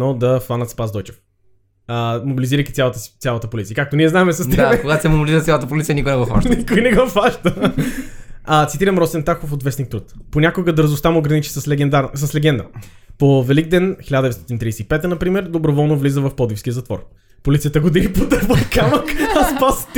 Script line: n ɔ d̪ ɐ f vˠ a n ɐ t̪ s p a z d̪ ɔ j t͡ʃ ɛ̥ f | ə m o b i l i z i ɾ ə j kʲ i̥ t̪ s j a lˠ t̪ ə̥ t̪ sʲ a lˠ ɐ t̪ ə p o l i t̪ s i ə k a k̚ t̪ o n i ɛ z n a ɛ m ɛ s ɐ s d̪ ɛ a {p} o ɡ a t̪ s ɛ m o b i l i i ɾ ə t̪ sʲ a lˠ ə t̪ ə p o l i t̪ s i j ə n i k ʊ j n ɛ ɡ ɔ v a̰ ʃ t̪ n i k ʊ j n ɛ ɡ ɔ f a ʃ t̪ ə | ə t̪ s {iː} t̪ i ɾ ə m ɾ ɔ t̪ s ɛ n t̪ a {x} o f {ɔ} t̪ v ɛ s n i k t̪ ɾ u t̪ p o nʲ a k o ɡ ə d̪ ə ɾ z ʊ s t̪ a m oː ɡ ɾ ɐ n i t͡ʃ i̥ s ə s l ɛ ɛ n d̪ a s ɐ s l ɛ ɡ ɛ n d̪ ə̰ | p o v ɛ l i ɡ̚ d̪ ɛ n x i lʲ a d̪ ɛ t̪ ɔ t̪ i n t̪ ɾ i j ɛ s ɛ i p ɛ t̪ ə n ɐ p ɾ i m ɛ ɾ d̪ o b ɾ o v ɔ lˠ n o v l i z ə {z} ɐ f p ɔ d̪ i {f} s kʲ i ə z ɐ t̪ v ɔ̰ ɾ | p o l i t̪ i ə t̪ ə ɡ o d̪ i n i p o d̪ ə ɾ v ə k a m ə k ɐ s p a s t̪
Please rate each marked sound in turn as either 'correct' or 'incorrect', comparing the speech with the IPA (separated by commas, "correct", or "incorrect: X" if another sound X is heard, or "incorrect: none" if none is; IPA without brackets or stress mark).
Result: incorrect: k, incorrect: i, correct, incorrect: o, incorrect: v, correct